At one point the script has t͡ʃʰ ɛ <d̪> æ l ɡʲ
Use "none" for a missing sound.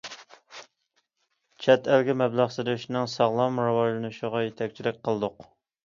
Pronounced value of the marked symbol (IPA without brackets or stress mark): t̪